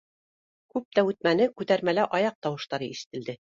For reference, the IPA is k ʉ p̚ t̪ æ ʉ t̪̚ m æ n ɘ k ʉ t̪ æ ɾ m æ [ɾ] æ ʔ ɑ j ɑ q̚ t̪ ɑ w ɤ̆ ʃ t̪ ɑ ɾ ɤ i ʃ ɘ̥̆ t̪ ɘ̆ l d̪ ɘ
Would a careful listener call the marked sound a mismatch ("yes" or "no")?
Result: yes